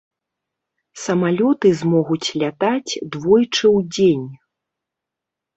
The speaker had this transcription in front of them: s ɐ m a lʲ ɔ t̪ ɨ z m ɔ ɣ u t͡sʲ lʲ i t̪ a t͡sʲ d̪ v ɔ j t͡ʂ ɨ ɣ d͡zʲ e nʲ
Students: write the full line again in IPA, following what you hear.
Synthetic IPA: s ɐ m a lʲ ɔ t̪ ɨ z m ɔ ɣ u t͡sʲ lʲ a t̪ a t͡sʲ d̪ v ɔ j t͡ʂ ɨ w d͡zʲ e nʲ